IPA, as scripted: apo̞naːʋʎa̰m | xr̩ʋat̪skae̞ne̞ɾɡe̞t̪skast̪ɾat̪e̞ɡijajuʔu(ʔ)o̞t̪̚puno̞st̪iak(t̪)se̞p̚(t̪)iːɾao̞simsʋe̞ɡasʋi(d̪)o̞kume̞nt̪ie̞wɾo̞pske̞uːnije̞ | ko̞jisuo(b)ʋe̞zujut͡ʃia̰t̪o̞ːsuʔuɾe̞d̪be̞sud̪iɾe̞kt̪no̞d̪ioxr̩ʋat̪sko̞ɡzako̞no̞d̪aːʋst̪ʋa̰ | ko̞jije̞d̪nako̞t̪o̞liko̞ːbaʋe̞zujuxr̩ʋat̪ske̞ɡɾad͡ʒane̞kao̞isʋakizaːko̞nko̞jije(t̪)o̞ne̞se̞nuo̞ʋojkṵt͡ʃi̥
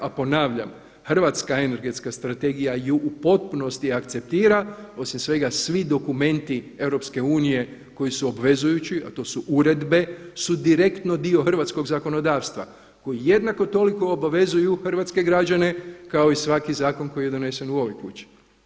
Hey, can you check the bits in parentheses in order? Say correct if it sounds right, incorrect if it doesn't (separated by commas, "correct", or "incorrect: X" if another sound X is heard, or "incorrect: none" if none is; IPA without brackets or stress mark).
incorrect: p, correct, correct, correct, correct, incorrect: d̪